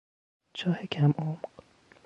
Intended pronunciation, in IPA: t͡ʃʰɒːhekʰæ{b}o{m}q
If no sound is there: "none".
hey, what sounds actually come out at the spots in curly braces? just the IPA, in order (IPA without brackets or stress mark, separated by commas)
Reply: m, m